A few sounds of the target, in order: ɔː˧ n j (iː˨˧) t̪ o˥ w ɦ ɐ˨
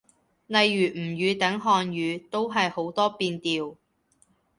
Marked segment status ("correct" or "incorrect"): incorrect